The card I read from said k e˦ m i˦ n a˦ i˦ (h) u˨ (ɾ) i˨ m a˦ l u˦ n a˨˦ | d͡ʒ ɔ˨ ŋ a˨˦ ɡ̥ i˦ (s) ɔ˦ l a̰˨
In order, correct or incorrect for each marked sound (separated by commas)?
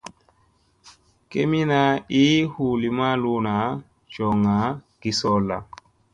correct, incorrect, correct